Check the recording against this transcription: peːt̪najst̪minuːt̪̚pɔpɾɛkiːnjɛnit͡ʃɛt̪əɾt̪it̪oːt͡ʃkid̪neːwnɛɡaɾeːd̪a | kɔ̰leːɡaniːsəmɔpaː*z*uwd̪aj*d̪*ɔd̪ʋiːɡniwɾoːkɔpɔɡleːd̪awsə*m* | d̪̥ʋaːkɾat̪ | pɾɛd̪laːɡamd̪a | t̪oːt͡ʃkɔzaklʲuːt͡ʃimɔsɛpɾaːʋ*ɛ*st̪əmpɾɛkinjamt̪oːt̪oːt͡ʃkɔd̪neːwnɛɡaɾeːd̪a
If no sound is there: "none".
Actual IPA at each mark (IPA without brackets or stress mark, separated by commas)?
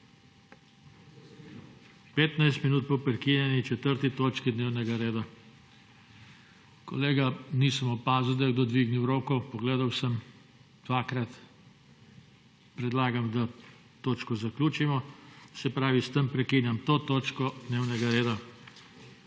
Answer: z, d̪, m, i